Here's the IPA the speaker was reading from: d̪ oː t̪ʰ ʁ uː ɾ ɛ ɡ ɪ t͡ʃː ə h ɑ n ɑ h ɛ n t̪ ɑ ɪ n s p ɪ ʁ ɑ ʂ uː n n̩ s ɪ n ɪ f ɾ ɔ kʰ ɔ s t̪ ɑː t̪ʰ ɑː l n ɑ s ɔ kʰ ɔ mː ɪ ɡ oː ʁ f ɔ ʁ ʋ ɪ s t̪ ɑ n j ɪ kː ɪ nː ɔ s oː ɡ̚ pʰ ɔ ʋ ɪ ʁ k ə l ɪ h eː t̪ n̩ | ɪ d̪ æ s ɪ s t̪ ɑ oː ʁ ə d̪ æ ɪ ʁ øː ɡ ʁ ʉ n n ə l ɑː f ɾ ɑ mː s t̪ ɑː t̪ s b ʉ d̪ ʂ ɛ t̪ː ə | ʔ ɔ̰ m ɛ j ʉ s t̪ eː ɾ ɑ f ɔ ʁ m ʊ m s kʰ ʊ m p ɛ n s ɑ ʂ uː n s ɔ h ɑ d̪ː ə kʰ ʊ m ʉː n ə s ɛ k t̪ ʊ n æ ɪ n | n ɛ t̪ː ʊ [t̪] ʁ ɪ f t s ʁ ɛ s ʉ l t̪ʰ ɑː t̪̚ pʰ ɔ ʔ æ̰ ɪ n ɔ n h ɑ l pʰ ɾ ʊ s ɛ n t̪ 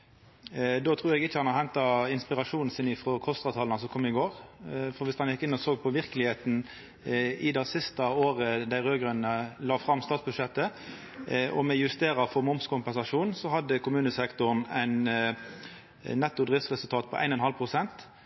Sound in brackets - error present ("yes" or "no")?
yes